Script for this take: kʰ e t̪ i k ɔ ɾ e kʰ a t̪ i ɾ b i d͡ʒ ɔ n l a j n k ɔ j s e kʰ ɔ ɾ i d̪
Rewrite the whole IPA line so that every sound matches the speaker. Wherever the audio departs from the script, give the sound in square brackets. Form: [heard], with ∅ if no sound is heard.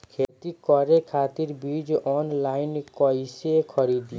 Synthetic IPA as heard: kʰ e t̪ i k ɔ ɾ e kʰ a t̪ i ɾ b i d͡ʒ ɔ n l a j n k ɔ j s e kʰ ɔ ɾ i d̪